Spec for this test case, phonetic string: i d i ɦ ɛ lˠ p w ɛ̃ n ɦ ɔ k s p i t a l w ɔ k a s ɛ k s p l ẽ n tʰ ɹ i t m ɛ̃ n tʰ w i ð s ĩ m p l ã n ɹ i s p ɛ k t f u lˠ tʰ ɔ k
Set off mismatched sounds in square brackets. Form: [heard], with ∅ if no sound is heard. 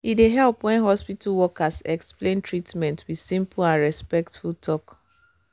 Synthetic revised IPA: i d [e] ɦ ɛ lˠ p w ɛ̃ n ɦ ɔ [∅] s p i t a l w ɔ k a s ɛ k s p l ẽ n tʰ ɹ i t m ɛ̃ n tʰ w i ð s ĩ m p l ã n ɹ [ɛ] s p ɛ k t f u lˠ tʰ ɔ k